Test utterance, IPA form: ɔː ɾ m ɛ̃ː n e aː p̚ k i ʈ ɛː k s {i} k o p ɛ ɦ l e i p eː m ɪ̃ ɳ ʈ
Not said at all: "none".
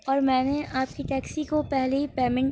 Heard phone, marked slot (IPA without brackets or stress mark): i